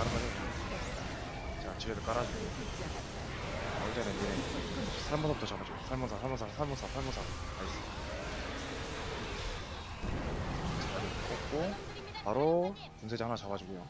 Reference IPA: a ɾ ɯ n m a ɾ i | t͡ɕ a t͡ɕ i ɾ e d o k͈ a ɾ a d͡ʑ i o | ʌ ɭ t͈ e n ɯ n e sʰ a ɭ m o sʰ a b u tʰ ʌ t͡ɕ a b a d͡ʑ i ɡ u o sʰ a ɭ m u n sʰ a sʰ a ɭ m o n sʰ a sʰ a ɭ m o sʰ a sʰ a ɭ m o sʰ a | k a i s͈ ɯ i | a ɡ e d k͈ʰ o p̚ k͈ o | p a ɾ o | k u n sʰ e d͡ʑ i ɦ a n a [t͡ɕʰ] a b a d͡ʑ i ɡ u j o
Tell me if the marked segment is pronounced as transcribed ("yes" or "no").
no